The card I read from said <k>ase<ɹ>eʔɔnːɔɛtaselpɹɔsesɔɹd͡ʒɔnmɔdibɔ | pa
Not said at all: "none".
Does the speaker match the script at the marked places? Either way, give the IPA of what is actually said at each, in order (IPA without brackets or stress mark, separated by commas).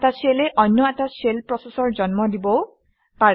t, l